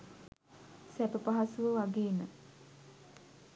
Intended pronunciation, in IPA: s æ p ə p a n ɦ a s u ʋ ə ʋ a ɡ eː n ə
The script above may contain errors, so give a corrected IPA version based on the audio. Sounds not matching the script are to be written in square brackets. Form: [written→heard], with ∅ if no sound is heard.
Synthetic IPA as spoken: s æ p ə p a [n→∅] ɦ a s u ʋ ə ʋ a ɡ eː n ə